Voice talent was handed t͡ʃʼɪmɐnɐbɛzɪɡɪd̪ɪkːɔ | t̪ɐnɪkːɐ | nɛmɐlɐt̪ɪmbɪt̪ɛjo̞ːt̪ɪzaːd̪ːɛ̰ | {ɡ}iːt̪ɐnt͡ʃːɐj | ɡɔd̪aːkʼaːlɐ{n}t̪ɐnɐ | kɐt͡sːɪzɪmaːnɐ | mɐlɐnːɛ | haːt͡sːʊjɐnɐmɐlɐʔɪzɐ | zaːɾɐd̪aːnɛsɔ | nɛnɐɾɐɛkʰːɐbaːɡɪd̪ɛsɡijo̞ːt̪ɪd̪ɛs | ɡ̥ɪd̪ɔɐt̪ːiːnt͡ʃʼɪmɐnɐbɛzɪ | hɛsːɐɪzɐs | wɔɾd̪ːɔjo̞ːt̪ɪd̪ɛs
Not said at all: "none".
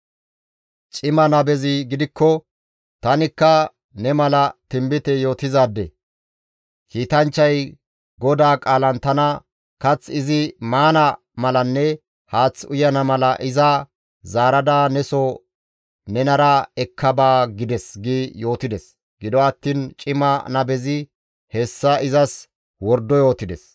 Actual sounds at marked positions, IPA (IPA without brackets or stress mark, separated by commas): k, n